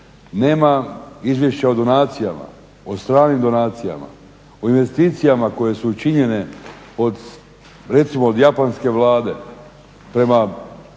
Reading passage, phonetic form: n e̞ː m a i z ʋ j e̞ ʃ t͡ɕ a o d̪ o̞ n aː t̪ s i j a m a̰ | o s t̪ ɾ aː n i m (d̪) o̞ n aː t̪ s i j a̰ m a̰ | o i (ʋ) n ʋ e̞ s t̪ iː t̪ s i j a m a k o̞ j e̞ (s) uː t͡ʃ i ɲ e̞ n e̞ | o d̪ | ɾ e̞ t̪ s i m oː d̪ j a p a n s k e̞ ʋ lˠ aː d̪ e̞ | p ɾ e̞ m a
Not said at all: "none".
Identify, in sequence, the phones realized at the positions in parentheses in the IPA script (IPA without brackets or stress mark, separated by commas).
d̪, none, s